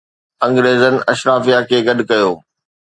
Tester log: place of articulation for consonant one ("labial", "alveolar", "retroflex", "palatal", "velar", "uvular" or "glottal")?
velar